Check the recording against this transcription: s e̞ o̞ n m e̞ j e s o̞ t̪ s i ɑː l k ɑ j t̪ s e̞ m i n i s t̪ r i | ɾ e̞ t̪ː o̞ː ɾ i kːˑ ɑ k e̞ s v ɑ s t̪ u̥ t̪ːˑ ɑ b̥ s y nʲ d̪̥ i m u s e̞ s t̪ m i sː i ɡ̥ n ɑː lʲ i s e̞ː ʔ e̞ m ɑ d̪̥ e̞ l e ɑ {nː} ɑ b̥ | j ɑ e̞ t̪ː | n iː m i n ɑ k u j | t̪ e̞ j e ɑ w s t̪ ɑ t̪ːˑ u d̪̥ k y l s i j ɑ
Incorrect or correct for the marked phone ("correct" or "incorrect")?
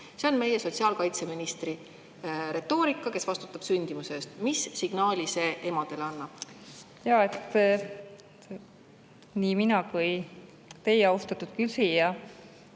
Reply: correct